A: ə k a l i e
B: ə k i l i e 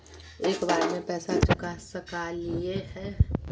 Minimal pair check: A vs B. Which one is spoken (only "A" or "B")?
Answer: A